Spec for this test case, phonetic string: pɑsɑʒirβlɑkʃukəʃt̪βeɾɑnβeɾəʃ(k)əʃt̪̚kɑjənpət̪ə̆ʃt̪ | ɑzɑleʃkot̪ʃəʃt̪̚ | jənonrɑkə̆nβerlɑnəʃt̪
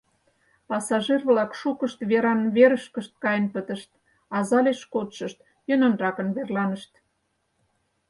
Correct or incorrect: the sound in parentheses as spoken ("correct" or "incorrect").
correct